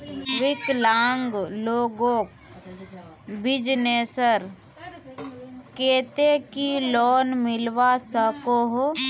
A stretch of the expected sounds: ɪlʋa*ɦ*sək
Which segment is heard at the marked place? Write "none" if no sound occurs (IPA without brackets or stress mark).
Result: none